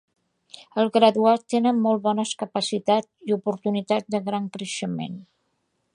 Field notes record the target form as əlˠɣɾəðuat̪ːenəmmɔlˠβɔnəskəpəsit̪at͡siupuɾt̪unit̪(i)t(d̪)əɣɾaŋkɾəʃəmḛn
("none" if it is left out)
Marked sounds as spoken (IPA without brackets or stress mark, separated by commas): a, d̪